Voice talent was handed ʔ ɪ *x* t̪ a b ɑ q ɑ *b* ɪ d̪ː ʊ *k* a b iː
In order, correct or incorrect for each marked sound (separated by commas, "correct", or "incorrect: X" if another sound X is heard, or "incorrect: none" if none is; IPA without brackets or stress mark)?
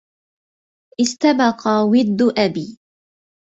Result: incorrect: s, incorrect: w, incorrect: ʔ